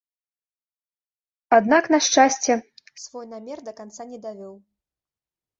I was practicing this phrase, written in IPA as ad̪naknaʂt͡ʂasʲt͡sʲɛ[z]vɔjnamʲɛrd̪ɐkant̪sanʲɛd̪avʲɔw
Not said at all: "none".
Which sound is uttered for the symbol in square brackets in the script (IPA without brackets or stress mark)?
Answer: s